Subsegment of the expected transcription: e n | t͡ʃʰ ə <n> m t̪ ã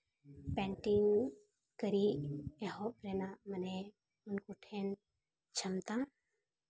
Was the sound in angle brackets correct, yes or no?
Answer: no